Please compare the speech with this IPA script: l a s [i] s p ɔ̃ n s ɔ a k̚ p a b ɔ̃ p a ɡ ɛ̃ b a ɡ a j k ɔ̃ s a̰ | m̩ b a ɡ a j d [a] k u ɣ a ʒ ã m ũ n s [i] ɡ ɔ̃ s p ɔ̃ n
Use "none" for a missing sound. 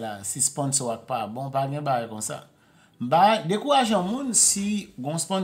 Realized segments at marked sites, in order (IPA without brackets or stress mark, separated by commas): i, e, i